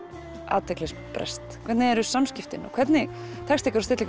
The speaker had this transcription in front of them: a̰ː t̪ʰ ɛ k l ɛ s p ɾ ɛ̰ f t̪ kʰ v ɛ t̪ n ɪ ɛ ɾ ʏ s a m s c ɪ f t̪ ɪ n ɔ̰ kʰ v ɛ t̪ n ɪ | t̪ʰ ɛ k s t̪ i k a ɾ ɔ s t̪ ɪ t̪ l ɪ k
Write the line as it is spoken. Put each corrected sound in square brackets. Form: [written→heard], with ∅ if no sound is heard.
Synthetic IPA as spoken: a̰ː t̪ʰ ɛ k l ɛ s p ɾ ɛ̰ [f→s] t̪ kʰ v ɛ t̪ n ɪ ɛ ɾ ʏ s a m s c ɪ f t̪ ɪ n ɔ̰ kʰ v ɛ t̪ n ɪ | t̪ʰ ɛ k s t̪ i k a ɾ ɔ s t̪ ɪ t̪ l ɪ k